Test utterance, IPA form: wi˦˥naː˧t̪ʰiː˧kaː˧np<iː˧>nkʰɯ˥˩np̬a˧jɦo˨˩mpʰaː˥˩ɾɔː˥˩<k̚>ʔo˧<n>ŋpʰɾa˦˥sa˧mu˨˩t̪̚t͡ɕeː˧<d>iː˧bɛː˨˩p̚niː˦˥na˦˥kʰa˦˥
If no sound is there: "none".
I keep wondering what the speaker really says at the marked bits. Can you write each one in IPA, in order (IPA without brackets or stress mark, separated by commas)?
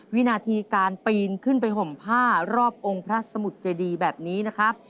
iː˧, p̚, none, d